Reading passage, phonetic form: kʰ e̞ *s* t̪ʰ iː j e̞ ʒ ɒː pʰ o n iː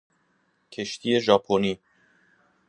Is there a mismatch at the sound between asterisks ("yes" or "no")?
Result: yes